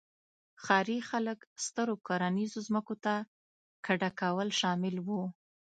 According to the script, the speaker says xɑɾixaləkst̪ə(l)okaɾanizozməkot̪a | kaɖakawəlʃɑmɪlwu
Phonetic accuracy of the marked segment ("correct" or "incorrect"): incorrect